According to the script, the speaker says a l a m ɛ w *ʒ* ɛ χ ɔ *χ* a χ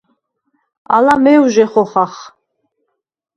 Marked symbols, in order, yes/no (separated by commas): yes, yes